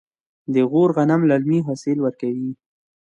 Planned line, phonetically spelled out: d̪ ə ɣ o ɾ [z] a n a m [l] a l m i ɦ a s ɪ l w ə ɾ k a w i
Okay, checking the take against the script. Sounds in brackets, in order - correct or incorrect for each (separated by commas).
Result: incorrect, correct